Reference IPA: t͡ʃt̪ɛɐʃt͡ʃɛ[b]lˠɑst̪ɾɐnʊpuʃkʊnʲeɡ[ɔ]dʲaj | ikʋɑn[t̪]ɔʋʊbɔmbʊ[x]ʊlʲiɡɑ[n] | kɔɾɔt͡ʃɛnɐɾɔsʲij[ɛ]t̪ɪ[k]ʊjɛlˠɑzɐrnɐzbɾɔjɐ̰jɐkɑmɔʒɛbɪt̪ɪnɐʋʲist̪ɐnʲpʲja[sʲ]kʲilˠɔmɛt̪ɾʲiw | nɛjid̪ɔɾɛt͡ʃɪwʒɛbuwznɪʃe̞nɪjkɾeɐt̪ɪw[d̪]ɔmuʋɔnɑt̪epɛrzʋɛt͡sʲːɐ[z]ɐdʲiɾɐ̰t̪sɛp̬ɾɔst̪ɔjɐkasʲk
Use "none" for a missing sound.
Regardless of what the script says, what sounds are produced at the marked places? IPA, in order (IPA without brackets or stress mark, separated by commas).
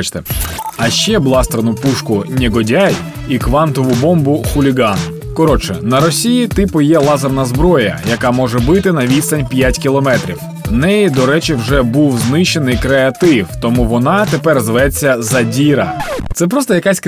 b, ɔ, t̪, x, n, i, p, tʲ, t̪, z